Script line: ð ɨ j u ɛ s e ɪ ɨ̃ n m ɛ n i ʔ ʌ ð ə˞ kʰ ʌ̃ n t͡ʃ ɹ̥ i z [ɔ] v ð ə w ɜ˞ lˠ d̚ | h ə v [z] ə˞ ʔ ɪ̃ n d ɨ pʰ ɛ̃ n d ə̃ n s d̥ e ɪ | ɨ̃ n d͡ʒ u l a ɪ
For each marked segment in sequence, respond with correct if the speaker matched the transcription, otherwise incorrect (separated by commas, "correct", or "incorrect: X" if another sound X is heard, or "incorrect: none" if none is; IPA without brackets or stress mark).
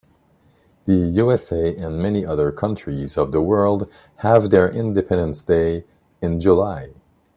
incorrect: ʌ, incorrect: ð